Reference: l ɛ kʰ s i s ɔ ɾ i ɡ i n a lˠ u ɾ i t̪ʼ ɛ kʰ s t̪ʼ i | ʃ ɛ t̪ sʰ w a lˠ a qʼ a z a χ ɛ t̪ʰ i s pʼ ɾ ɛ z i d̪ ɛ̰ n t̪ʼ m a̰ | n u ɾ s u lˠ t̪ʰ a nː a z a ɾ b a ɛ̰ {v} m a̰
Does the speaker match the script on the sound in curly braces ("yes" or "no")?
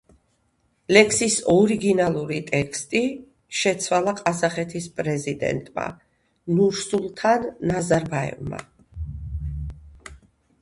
yes